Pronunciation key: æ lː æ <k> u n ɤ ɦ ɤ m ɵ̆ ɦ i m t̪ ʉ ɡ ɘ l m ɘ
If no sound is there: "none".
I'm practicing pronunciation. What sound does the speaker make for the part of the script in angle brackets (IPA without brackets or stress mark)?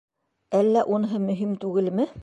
ʔ